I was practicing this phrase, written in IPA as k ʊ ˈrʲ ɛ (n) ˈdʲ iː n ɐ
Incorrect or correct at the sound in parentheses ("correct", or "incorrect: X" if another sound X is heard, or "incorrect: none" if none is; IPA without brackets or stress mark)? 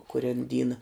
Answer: correct